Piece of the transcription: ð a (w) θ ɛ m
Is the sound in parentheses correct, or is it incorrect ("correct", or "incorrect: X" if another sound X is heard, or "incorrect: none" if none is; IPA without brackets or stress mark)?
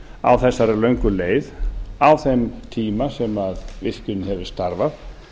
correct